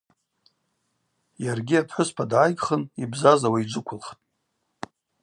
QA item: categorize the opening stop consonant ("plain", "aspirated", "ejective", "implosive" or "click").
plain